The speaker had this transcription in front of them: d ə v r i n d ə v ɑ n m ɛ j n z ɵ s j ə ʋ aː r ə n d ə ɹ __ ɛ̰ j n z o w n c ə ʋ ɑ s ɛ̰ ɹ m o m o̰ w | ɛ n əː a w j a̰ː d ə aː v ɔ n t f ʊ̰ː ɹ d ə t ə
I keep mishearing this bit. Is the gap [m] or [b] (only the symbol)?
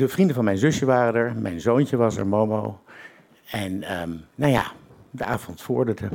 m